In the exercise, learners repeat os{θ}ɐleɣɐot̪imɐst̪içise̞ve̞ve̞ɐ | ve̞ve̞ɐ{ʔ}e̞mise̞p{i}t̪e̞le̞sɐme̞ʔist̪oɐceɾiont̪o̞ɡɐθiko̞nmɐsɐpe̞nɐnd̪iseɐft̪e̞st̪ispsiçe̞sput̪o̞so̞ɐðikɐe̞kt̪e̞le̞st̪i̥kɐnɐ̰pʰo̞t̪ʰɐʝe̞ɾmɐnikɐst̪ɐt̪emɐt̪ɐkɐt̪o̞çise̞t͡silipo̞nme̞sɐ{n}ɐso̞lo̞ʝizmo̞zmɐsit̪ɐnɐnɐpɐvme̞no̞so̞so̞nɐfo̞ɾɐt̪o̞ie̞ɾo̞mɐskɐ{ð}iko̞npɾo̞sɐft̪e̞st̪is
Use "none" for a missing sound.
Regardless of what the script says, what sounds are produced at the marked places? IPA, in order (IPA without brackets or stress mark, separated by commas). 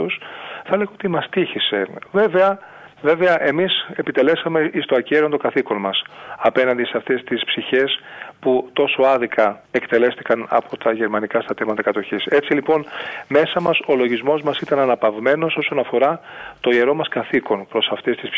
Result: θ, ʔ, i, m, θ